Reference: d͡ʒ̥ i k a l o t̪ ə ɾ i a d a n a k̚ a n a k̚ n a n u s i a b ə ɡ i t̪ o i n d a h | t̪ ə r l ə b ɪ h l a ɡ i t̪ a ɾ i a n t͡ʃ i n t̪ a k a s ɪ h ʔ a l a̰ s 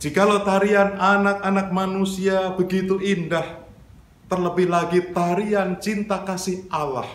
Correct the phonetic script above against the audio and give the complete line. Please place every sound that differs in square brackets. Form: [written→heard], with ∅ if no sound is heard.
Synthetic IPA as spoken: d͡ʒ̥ i k a l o t̪ [ə→a] ɾ i a [d→n] a n a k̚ a n a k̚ [n→m] a n u s i a b ə ɡ i t̪ [o→u] i n d a h | t̪ ə r l ə b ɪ h l a ɡ i t̪ a ɾ i a n t͡ʃ i n t̪ a k a s ɪ h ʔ a l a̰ [s→h]